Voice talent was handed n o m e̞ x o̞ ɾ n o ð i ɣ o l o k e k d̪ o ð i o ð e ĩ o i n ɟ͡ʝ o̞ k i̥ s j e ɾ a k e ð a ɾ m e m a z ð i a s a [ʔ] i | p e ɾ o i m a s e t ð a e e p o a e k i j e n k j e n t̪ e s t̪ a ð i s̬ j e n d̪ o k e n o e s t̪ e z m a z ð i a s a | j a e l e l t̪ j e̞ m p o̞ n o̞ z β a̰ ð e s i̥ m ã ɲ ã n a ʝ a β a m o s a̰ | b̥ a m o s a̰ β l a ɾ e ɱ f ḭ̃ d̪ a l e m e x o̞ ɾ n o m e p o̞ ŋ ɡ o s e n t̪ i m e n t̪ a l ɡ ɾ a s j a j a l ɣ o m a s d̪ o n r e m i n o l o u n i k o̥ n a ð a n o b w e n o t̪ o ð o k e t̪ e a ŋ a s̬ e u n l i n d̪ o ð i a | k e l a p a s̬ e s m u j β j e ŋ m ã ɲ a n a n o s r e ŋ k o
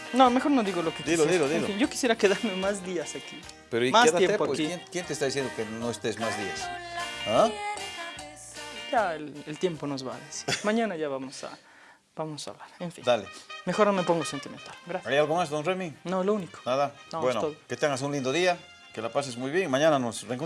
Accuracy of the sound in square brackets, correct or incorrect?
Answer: incorrect: k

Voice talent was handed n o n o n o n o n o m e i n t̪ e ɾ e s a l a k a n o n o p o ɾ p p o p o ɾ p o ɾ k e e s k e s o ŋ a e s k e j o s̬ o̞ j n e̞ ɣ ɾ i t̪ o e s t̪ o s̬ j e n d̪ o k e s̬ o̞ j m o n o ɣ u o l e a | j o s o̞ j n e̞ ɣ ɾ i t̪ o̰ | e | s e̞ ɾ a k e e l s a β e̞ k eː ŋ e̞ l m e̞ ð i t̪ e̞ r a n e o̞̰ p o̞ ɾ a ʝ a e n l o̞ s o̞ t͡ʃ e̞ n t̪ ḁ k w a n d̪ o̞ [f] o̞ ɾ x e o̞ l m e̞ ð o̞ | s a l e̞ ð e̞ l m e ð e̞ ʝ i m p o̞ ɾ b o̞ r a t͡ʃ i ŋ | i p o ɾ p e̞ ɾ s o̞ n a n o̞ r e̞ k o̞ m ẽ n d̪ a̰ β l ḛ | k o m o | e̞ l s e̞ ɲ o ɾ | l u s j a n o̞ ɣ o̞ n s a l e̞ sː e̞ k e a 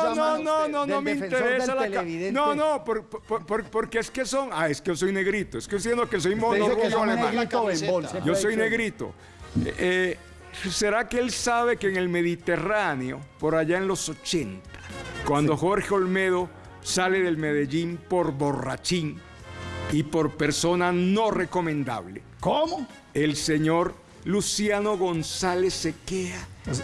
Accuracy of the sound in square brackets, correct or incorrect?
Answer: incorrect: x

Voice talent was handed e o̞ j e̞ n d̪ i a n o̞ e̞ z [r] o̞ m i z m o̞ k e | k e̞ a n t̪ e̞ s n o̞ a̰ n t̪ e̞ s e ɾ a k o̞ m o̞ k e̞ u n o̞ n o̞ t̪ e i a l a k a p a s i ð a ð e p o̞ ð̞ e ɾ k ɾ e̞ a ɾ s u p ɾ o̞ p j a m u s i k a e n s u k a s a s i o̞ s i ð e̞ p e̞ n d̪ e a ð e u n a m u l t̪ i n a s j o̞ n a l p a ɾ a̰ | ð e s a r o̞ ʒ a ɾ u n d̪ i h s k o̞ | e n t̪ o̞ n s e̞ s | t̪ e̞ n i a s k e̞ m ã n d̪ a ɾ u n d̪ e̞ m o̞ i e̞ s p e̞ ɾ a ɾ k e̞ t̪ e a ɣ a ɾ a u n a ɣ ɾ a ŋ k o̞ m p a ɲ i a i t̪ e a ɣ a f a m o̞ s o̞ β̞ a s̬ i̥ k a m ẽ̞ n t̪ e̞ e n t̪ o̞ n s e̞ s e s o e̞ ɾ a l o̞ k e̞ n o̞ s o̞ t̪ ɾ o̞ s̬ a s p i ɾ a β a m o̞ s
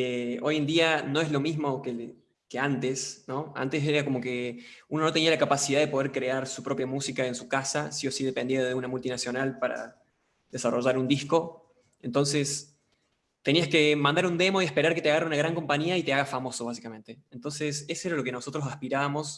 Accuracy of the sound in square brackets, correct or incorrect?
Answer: incorrect: l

